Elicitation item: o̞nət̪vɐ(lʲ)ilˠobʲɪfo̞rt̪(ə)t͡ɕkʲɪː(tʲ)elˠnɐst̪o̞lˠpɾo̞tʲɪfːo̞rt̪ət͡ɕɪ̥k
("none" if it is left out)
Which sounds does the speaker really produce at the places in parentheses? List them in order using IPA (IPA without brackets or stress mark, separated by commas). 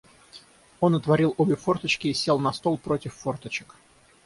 ɾʲ, ə, sʲ